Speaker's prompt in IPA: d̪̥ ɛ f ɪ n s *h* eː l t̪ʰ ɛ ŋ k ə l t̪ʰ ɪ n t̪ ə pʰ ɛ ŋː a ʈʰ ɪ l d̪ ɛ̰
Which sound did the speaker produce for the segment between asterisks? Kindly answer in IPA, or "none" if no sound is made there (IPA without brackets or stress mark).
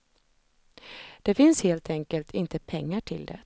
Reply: h